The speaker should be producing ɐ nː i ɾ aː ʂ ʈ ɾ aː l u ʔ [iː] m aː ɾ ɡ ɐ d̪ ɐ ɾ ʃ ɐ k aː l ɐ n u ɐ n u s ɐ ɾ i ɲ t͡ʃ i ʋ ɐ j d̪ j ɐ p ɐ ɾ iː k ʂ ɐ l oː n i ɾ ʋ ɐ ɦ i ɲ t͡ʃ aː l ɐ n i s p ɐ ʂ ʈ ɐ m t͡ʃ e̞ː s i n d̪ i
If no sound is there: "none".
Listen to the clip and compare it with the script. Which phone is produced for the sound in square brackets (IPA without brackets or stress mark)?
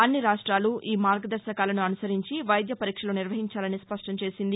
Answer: iː